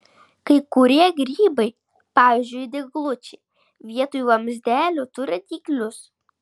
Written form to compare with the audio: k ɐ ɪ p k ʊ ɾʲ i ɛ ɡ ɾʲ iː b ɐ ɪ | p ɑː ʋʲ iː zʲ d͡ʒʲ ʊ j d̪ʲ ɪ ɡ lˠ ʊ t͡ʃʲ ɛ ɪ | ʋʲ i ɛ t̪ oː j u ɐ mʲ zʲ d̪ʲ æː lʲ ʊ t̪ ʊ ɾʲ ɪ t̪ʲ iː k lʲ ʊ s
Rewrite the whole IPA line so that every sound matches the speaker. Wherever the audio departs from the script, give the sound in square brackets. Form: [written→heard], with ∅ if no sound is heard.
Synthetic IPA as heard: k ɐ ɪ [p→∅] k ʊ ɾʲ i ɛ ɡ ɾʲ iː b ɐ ɪ | p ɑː ʋʲ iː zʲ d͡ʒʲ ʊ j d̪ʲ ɪ ɡ lˠ ʊ t͡ʃʲ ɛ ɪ | ʋʲ i ɛ t̪ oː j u ɐ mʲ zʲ d̪ʲ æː lʲ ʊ t̪ ʊ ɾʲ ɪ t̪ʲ iː k lʲ ʊ s